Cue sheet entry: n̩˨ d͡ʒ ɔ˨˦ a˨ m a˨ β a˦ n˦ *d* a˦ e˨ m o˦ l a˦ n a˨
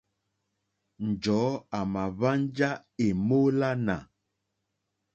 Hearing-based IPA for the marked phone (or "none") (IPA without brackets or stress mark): d͡ʒ